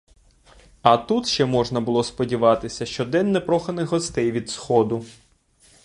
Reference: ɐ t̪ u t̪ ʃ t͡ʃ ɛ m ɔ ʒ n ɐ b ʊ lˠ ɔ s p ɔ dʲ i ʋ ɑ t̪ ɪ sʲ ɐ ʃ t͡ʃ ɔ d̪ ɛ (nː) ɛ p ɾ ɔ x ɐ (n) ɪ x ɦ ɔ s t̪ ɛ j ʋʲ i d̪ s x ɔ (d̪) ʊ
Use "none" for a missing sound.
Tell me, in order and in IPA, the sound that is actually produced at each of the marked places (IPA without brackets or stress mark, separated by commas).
nː, n, d̪